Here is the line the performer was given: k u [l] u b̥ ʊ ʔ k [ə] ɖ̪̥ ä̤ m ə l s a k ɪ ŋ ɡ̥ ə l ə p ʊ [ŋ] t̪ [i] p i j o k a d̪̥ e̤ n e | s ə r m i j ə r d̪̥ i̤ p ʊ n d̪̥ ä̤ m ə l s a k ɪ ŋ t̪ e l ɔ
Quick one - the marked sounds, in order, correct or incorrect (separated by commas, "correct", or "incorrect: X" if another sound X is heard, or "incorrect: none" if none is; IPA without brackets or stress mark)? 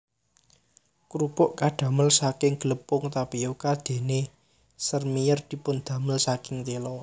incorrect: ɾ, incorrect: a, correct, incorrect: a